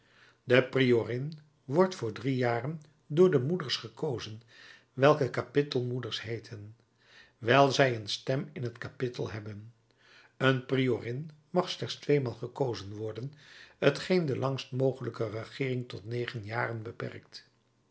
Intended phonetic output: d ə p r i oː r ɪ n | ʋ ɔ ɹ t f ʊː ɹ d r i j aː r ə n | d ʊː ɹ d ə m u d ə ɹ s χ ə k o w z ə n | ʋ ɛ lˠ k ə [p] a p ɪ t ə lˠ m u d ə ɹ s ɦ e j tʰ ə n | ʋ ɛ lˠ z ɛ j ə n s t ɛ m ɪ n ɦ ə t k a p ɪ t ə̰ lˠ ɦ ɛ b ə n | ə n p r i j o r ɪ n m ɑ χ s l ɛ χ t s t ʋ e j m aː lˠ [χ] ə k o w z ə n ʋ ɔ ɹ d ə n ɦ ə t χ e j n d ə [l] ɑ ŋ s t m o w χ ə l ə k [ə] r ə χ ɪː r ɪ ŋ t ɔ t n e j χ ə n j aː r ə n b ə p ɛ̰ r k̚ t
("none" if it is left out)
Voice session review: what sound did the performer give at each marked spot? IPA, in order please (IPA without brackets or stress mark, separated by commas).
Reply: k, χ, l, ə